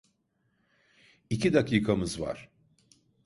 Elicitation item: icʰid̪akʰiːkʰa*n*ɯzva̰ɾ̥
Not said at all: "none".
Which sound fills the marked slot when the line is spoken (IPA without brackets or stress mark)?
m